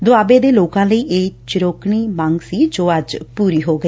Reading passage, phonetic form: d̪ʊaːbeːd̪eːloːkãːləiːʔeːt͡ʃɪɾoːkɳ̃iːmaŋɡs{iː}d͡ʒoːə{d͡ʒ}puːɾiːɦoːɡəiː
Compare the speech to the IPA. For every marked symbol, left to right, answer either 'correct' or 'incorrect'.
correct, correct

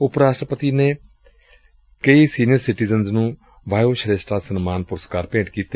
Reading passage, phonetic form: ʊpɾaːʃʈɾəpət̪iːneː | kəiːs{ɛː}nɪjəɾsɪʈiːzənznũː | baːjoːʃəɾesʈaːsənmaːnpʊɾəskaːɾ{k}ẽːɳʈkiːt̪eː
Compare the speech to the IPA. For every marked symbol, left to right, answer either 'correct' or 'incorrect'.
incorrect: iː, incorrect: p

